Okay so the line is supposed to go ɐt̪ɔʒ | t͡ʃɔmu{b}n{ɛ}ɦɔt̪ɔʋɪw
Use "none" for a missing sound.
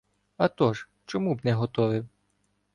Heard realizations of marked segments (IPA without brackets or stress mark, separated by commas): b, ɛ